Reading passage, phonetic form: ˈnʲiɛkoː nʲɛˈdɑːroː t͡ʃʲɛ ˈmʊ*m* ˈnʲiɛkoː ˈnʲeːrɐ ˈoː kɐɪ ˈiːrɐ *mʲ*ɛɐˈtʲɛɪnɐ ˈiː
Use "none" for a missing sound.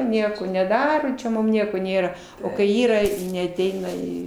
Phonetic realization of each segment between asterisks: m, nʲ

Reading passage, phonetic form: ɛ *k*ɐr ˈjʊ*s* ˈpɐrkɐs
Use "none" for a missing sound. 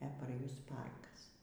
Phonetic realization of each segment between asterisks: p, s

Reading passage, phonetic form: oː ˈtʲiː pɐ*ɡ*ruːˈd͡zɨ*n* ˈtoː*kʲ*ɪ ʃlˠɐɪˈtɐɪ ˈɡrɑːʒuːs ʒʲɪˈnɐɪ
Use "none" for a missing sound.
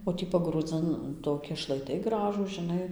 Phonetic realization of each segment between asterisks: ɡ, n, kʲ

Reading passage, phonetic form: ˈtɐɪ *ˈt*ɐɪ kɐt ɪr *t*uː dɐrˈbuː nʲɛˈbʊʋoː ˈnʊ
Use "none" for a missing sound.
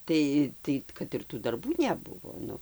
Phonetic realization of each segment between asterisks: t, t

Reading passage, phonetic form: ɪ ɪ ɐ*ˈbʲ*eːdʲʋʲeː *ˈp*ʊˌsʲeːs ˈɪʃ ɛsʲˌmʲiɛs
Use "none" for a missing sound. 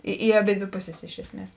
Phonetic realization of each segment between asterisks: bʲ, p

